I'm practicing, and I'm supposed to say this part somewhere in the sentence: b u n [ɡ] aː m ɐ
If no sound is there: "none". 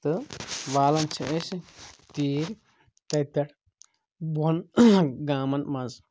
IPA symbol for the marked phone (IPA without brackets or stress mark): ɡ